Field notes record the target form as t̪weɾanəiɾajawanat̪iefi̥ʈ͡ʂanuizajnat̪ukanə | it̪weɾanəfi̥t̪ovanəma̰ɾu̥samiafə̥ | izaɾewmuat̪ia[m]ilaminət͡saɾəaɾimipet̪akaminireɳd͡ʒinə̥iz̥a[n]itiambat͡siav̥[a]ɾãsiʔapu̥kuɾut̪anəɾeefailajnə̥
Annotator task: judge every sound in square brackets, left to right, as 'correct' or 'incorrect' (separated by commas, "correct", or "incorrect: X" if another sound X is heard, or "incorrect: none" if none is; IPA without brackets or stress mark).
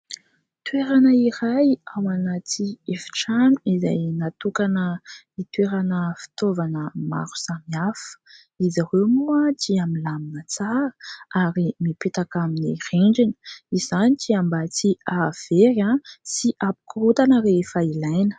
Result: correct, correct, incorrect: e